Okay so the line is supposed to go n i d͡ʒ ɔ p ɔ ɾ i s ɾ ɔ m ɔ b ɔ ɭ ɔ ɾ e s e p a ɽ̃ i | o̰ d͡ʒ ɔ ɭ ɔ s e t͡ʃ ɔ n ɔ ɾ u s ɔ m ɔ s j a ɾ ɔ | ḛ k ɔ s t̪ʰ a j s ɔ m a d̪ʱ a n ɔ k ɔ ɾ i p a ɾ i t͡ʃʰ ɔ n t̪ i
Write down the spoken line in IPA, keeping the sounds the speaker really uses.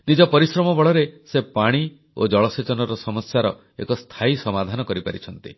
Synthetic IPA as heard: n i d͡ʒ ɔ p ɔ ɾ i s ɾ ɔ m ɔ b ɔ ɭ ɔ ɾ e s e p a ɽ̃ i | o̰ d͡ʒ ɔ ɭ ɔ s e t͡ʃ ɔ n ɔ ɾ ɔ s ɔ m ɔ s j a ɾ ɔ | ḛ k ɔ s t̪ʰ a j s ɔ m a d̪ʱ a n ɔ k ɔ ɾ i p a ɾ i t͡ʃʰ ɔ n t̪ i